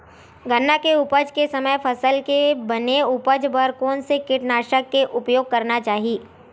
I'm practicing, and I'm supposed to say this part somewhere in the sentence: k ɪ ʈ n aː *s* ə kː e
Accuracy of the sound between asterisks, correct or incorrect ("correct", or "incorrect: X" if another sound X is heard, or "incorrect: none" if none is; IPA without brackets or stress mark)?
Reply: incorrect: ʃ